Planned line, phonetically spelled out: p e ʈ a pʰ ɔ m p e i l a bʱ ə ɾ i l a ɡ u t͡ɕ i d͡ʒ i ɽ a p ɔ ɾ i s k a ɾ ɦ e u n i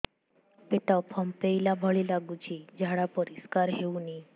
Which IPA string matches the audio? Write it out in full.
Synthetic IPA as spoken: p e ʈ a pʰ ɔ m p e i l a bʱ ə ɭ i l a ɡ u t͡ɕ i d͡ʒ a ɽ a p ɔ ɾ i s k a ɾ ɦ e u n i